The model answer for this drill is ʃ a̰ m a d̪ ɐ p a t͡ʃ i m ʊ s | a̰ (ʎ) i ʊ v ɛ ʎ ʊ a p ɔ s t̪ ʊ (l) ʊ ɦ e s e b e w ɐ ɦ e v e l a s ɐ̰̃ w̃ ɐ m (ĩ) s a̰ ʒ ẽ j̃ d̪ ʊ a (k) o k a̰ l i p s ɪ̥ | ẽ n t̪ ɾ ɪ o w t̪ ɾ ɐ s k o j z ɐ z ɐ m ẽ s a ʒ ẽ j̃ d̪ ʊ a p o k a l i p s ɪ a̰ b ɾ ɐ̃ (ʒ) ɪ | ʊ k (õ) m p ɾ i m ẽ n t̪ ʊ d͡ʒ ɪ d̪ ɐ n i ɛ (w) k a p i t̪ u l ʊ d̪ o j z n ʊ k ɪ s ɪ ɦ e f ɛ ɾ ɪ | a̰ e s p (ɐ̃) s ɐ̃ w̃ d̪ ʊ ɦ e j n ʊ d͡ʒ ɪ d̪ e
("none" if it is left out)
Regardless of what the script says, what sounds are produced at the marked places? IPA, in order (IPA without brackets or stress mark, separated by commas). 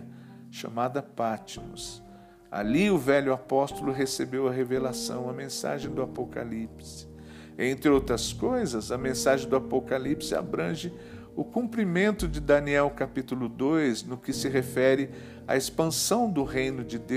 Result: l, l, ẽ, p, ʒ, ũ, w, ɐ̃